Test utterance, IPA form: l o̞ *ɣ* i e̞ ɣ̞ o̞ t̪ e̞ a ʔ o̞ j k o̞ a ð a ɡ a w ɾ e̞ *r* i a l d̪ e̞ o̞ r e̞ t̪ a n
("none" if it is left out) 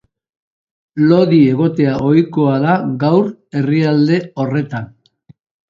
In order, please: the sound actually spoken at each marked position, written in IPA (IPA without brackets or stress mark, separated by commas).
ð, r